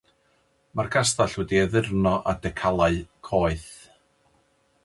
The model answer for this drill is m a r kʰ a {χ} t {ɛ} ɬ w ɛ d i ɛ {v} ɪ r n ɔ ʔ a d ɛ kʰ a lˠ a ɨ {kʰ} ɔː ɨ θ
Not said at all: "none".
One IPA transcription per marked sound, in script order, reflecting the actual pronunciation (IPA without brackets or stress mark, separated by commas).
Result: s, a, ð, kʰ